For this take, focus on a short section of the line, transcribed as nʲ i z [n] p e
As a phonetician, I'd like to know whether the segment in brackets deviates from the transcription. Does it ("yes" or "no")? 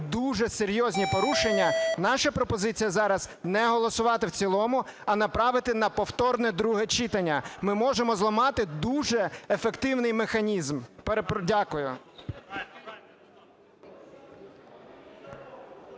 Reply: yes